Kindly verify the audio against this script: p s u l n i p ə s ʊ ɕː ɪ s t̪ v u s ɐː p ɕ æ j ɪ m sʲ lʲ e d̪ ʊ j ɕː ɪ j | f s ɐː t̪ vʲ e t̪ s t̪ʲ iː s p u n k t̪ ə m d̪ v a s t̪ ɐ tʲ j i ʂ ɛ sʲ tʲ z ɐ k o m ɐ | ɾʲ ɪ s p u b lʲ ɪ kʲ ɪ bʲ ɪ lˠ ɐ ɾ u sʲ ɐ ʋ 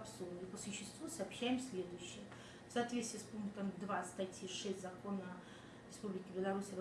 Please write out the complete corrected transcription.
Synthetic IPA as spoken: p s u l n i p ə s ʊ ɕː ɪ s t̪ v u s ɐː p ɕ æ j ɪ m sʲ lʲ e d̪ ʊ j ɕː ɪ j | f s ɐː t̪ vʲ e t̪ s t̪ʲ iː s p u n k t̪ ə m d̪ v a s t̪ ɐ tʲ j i ʂ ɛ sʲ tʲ z ɐ k o n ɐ | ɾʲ ɪ s p u b lʲ ɪ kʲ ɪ bʲ ɪ lˠ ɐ ɾ u sʲ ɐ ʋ